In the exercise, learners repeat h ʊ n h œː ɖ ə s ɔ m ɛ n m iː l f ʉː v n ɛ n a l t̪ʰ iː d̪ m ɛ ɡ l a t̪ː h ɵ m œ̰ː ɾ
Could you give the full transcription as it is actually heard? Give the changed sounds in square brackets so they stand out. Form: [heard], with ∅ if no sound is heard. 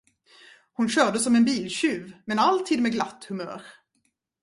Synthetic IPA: h ʊ n [ɕ] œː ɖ ə s ɔ m ɛ n [b] iː l [ɕ] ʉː v [m] ɛ n a l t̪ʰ iː d̪ m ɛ ɡ l a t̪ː h ɵ m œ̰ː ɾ